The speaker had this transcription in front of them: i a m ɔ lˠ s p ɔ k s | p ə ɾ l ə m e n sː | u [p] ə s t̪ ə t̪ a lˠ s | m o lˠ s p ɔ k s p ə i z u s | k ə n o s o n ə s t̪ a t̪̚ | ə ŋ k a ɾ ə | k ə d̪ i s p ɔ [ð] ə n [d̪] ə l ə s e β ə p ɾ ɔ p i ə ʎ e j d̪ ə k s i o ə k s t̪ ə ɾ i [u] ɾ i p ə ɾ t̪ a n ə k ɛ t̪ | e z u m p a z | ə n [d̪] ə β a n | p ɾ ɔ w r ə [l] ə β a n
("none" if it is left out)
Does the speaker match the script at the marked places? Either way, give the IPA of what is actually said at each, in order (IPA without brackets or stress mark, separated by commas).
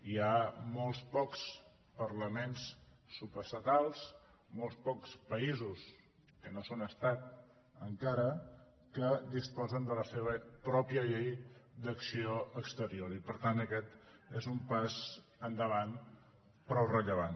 p, z, d̪, o, d̪, ʎ